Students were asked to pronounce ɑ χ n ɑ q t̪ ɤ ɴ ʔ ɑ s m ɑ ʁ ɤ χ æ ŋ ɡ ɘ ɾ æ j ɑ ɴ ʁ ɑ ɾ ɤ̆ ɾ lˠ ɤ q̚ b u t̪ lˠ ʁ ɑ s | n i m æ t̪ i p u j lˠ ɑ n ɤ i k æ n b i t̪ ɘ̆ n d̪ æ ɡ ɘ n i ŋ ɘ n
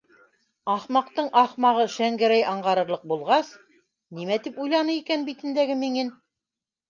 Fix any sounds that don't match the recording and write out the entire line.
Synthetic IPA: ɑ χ m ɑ q t̪ ɤ ɴ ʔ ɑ χ m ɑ ʁ ɤ ʃ æ ŋ ɡ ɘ ɾ æ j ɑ ɴ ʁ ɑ ɾ ɤ̆ ɾ lˠ ɤ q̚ b u lˠ ʁ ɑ s | n i m æ t̪ i p u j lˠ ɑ n ɤ i k æ n b i t̪ ɘ̆ n d̪ æ ɡ ɘ m i ŋ ɘ n